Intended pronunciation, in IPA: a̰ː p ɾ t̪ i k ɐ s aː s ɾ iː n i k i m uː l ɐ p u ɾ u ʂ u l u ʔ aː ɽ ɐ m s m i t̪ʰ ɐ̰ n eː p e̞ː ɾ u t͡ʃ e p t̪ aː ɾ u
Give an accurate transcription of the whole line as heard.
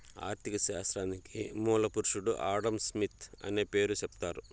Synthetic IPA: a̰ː ɾ t̪ i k ɐ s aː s ɾ aː n i k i m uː l ɐ p u ɾ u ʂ u ɽ u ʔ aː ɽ ɐ m s m i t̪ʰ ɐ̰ n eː p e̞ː ɾ u t͡ʃ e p t̪ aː ɾ u